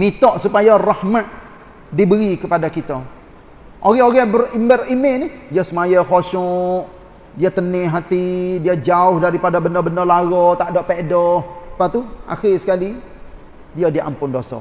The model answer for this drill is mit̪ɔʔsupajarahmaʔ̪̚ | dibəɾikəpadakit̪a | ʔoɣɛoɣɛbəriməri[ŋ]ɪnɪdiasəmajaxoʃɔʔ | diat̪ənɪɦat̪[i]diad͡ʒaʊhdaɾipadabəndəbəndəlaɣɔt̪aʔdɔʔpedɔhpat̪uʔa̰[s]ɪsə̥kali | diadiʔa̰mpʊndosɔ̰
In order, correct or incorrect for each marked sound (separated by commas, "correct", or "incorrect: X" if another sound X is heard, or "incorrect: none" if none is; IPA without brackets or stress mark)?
incorrect: m, correct, incorrect: x